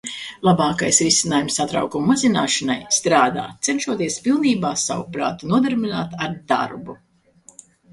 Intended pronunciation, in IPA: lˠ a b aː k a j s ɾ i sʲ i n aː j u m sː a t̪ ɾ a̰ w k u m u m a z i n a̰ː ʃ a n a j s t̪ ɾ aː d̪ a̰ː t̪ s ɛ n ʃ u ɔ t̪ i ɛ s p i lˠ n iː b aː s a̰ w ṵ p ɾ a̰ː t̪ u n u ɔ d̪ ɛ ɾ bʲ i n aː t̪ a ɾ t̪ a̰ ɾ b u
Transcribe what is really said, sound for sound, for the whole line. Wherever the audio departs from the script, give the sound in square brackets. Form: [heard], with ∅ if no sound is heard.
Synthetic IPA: lˠ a b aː k a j s ɾ i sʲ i n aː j u m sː a t̪ ɾ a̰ w k u m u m a z i n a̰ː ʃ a n a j s t̪ ɾ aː d̪ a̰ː t̪ s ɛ n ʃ u ɔ t̪ i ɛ s p i lˠ n iː b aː s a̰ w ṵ p ɾ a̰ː t̪ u n u ɔ d̪ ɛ ɾ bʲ i n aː t̪ a ɾ [d̪] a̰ ɾ b u